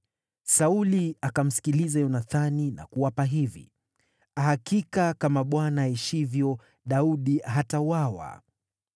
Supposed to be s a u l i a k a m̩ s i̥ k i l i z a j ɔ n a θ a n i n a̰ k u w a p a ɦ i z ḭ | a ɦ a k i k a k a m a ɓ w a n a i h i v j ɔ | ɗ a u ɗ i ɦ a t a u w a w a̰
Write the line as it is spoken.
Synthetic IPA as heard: s a u l i a k a m̩ s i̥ k i l i z a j ɔ n a θ a n i n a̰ k u w a p a ɦ i v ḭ | a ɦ a k i k a k a m a ɓ w a n a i ʃ i v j ɔ | ɗ a u ɗ i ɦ a t a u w a w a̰